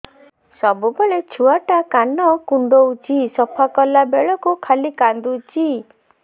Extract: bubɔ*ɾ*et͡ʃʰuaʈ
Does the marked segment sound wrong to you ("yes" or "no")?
yes